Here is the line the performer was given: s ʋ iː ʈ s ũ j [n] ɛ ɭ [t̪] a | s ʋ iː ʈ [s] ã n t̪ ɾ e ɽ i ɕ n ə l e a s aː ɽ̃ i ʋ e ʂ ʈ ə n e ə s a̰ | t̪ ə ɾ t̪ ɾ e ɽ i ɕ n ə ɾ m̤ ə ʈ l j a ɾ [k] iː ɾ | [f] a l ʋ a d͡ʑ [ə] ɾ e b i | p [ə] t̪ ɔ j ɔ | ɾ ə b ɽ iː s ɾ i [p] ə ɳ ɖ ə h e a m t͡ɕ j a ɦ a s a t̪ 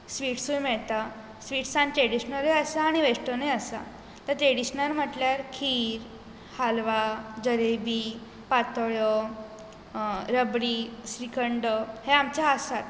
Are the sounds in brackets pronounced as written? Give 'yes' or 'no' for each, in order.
no, yes, yes, no, no, yes, no, no

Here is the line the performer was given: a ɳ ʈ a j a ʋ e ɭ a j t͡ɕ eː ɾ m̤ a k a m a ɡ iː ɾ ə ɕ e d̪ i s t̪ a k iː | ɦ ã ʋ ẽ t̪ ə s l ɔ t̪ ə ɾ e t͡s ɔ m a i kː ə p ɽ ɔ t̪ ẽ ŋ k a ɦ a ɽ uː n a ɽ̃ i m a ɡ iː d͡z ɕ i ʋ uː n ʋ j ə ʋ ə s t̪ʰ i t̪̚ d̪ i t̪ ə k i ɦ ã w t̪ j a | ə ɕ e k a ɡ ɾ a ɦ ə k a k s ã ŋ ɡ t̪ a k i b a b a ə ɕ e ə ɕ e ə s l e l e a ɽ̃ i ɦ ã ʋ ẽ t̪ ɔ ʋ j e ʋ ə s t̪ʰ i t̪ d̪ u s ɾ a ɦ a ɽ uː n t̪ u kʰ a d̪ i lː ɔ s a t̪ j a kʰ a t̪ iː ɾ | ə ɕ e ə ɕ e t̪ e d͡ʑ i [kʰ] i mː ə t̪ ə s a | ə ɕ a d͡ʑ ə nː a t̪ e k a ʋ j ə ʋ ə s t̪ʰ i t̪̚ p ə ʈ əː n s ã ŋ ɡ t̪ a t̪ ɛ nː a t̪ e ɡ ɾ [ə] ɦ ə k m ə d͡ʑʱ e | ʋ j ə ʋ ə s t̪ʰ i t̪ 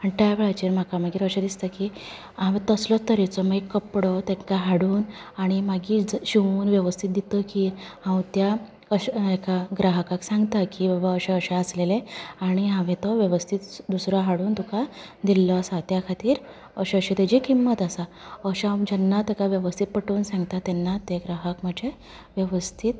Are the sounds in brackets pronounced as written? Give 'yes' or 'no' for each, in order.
no, no

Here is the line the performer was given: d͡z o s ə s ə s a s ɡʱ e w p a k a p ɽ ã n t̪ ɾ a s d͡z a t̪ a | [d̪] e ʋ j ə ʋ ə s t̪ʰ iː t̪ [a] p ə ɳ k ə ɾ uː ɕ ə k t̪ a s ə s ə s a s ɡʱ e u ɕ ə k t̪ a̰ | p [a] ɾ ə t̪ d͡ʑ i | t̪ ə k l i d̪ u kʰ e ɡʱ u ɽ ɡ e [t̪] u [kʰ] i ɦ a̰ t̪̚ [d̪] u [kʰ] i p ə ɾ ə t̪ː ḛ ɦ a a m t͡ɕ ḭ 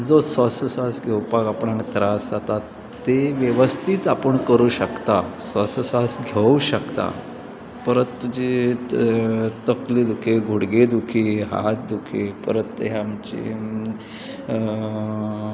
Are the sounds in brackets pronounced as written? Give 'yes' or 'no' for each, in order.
no, yes, no, no, yes, yes, yes

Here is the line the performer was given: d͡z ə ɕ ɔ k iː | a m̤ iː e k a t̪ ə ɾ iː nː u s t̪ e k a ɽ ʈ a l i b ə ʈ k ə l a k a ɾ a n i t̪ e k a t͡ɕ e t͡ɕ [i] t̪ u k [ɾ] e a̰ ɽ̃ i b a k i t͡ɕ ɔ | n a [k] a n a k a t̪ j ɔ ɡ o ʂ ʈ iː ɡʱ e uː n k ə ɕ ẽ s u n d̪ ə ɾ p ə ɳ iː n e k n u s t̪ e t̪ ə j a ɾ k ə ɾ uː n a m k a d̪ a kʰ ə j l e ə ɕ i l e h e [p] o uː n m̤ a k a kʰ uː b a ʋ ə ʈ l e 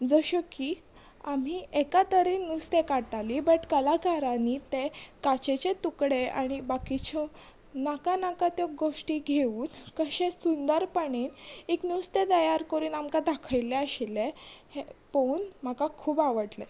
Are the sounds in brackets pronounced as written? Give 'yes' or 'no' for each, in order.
no, no, yes, yes

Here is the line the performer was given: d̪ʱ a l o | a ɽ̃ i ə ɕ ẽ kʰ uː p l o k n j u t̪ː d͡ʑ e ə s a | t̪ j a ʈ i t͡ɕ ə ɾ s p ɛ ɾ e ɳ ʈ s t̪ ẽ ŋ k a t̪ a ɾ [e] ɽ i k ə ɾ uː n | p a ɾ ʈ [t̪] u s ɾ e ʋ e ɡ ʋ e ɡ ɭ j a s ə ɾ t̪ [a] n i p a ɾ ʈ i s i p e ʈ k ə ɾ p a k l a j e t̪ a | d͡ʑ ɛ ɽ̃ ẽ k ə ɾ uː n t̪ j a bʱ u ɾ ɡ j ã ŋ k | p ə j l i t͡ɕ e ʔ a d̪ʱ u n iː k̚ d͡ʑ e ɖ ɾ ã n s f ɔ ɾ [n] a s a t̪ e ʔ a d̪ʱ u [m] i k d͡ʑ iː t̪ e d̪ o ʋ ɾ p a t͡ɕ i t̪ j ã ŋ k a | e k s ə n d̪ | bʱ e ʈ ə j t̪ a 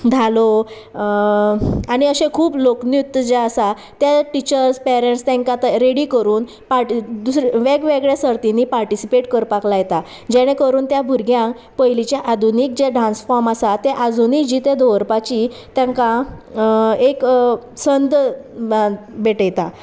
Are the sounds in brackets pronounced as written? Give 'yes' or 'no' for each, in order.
yes, no, no, no, no

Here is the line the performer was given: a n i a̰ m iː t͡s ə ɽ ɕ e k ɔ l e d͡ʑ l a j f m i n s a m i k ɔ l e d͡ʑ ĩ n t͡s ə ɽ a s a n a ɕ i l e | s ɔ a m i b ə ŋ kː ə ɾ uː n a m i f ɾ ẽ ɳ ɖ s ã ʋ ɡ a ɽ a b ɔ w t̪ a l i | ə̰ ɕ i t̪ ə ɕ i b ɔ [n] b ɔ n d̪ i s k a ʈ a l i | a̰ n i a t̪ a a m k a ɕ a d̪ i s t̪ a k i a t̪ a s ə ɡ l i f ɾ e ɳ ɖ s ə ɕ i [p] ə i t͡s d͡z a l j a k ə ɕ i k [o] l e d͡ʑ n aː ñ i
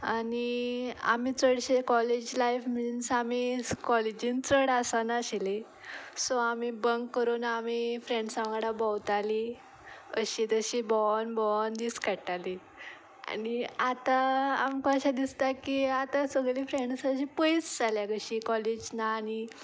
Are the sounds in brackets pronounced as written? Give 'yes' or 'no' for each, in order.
yes, yes, no

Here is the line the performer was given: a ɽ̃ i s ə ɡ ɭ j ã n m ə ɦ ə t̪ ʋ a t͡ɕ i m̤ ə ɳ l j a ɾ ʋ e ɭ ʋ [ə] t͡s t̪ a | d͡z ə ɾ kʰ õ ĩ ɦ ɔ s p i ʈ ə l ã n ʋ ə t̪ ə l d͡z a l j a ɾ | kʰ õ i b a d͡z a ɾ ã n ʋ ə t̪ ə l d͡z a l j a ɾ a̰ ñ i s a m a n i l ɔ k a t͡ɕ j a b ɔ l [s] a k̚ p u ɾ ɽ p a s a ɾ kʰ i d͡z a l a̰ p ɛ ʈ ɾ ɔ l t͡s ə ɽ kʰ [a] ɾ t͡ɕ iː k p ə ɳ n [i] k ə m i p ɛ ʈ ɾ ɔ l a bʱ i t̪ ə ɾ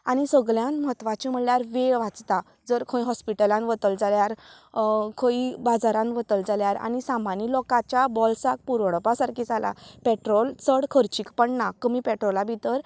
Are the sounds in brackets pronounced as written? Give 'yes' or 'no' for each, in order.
no, yes, no, no

